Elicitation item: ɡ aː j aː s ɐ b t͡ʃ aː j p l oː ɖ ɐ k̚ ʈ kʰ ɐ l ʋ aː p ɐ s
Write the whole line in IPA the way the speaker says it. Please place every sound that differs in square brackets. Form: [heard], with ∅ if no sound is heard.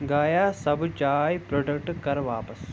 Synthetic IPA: ɡ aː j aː s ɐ b t͡ʃ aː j p [ɾ] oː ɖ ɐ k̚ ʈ [k] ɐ [ɾ] ʋ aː p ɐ s